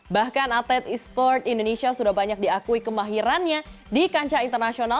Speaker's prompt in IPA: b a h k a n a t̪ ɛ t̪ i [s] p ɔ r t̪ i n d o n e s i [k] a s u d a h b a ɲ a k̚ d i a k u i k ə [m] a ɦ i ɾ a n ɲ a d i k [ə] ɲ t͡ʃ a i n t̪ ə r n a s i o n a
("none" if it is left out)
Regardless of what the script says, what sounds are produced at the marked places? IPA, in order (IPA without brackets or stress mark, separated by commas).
s, none, m, a